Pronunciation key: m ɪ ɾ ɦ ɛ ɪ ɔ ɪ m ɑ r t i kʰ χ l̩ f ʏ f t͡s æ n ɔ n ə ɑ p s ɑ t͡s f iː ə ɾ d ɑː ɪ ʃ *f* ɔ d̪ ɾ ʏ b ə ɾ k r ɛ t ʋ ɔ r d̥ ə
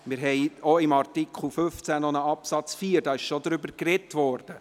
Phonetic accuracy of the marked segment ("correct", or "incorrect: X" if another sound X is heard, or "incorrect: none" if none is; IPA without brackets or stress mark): incorrect: ʃ